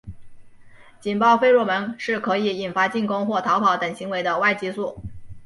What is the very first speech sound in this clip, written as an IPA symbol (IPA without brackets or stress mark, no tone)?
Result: t͡ɕ